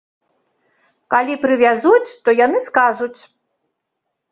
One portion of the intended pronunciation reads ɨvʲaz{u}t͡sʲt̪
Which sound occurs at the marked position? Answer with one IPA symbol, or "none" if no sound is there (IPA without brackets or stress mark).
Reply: u